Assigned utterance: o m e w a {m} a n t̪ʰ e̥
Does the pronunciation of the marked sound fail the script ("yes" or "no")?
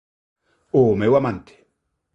no